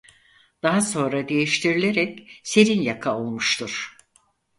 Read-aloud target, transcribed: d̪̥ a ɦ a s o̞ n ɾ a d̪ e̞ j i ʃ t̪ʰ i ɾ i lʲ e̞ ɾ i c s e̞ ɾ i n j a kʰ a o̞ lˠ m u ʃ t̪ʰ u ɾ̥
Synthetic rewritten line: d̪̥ a ɦ a s o̞ n ɾ a d̪ e̞ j i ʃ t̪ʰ i ɾ i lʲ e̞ ɾ ɛ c s e̞ ɾ i n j a kʰ a o̞ lˠ m u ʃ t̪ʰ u ɾ̥